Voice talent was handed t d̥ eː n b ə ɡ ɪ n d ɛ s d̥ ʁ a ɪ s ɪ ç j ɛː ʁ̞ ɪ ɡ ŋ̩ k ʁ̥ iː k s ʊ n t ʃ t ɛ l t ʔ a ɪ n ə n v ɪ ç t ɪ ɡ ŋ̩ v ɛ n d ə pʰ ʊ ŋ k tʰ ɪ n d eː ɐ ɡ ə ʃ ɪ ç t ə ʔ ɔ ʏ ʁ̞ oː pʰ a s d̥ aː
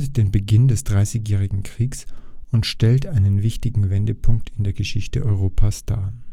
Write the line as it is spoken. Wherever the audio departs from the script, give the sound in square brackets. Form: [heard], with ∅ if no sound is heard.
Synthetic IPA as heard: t d̥ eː n b ə ɡ ɪ n d ɛ s d̥ ʁ a ɪ s ɪ ç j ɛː ʁ̞ ɪ ɡ ŋ̩ k ʁ̥ iː k s ʊ n t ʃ t ɛ l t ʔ a ɪ n ə n v ɪ ç t ɪ ɡ ŋ̩ v ɛ n d ə pʰ ʊ ŋ k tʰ ɪ n d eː ɐ ɡ ə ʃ ɪ ç t ə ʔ ɔ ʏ ʁ̞ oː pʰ a s d̥ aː